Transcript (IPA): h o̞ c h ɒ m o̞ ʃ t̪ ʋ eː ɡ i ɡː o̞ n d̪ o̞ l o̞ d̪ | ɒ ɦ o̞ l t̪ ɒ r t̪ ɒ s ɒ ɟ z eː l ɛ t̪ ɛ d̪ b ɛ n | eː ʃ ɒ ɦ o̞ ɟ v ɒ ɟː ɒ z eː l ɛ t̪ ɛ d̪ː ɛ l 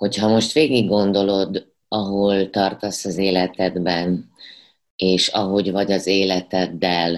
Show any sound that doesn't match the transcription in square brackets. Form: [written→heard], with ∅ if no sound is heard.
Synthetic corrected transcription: h o̞ c h ɒ m o̞ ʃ t̪ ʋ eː ɡ i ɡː o̞ n d̪ o̞ l o̞ d̪ | ɒ ɦ o̞ l t̪ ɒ r t̪ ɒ s ɒ [ɟ→∅] z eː l ɛ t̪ ɛ d̪ b ɛ n | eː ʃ ɒ ɦ o̞ ɟ v ɒ [ɟː→ɟ] ɒ z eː l ɛ t̪ ɛ d̪ː ɛ l